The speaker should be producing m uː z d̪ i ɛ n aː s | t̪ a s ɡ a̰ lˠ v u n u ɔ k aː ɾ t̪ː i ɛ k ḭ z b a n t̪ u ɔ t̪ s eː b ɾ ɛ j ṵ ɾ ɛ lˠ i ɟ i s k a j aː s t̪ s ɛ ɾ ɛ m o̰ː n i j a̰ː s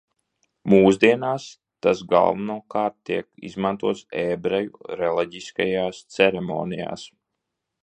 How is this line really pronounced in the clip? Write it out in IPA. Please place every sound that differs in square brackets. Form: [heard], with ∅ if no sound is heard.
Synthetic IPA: m uː z d̪ i ɛ n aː s | t̪ a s ɡ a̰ lˠ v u n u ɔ k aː ɾ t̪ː i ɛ k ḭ z [m] a n t̪ u ɔ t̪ s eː b ɾ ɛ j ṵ ɾ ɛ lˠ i ɟ i s k a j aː s t̪ s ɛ ɾ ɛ m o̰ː n i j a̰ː s